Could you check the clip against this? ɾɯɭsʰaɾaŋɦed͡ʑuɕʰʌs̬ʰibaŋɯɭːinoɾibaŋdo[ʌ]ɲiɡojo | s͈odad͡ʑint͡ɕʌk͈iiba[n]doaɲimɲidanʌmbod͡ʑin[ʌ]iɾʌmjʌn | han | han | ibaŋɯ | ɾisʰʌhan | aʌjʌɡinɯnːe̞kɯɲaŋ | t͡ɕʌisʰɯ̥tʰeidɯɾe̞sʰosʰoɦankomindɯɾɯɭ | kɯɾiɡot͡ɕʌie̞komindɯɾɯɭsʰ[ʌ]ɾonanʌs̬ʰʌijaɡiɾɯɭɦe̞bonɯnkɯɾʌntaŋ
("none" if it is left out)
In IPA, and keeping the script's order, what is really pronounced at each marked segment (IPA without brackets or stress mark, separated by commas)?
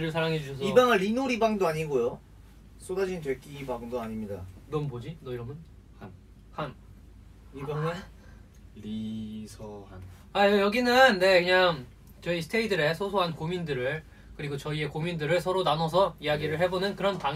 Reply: a, ŋ, ʌ, ʌ